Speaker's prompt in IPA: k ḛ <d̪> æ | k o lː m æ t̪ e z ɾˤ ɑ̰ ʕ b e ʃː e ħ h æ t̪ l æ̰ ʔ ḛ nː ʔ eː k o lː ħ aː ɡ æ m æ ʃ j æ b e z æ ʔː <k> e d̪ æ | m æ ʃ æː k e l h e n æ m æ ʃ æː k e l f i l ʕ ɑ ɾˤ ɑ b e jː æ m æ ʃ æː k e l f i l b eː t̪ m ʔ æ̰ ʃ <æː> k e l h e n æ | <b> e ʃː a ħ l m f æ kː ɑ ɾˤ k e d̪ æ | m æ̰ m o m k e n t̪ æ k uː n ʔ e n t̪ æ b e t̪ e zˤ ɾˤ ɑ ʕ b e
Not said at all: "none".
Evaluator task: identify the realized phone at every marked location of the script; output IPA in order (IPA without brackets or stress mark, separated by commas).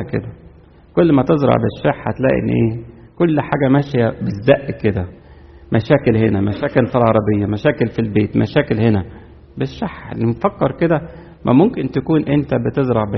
d̪, k, æː, b